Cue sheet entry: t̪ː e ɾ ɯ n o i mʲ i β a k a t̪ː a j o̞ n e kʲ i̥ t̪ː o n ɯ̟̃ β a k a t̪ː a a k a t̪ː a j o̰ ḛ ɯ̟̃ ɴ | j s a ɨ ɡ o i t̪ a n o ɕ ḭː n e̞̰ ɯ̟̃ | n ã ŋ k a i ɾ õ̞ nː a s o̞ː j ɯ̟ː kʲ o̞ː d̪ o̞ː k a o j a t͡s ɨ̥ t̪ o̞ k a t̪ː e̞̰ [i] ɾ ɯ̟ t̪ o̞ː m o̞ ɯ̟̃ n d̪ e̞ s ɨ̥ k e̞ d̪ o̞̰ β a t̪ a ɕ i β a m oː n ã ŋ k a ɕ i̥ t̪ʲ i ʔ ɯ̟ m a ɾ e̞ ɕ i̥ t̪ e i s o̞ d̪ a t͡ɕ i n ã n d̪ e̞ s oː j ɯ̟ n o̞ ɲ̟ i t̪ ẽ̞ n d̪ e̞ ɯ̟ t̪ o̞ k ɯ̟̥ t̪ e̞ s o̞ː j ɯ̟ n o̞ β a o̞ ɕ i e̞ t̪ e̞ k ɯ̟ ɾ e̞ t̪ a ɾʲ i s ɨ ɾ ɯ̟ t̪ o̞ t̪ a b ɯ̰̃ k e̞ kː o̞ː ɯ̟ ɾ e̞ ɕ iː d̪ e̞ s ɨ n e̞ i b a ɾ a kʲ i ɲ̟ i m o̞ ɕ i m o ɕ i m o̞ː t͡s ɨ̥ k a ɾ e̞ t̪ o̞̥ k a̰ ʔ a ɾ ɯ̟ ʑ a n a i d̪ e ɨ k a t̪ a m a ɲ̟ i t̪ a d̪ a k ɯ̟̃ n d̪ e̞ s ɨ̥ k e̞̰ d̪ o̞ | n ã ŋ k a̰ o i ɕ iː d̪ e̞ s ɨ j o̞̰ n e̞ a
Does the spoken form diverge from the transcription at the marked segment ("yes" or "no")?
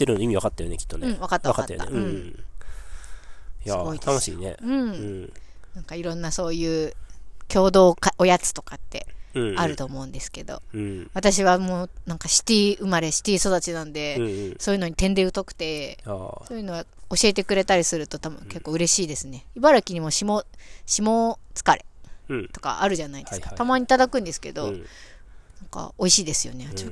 yes